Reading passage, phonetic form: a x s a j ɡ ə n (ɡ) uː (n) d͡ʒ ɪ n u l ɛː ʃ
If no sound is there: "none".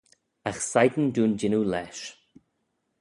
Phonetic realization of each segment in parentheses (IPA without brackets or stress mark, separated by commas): d, n